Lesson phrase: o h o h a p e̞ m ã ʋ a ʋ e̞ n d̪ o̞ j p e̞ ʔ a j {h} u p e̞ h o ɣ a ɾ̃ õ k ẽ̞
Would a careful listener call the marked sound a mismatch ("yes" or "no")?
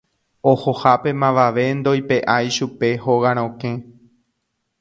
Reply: yes